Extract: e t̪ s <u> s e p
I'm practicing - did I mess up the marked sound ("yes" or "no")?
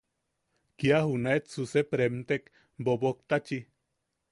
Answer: no